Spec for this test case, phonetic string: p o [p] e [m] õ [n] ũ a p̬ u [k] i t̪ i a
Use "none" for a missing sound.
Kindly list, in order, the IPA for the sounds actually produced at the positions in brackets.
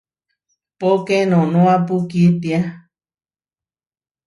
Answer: k, n, n, k

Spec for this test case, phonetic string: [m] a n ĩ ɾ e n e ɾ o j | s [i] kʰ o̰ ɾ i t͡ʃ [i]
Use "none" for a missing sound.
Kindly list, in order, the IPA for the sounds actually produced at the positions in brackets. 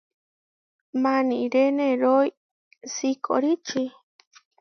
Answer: m, i, i

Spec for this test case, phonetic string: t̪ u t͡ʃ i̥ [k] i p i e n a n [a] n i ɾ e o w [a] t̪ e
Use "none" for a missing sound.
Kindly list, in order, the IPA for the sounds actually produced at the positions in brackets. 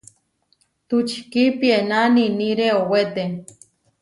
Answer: k, i, e

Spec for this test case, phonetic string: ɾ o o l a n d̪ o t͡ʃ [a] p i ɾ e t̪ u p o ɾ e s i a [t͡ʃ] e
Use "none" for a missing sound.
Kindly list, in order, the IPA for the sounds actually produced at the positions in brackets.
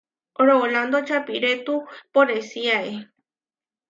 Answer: a, none

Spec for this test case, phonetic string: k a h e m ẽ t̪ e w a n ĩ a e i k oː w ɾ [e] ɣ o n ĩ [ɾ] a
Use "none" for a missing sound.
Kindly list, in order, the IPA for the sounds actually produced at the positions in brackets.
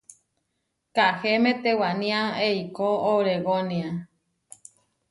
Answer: e, none

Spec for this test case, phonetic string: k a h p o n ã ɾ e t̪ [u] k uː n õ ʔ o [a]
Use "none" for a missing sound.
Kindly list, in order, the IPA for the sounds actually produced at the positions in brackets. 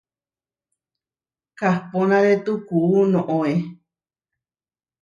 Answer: u, e

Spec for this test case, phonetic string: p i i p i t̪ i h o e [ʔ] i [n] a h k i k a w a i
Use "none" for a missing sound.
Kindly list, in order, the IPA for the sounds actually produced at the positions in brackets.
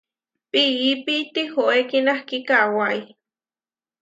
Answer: k, n

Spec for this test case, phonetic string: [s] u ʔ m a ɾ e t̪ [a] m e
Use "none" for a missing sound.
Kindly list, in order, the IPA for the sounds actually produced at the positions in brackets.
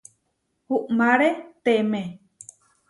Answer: h, e

